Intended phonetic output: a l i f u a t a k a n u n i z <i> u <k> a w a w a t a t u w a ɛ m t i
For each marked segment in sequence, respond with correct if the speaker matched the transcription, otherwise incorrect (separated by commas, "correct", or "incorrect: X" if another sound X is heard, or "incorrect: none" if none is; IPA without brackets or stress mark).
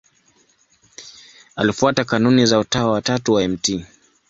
incorrect: a, incorrect: t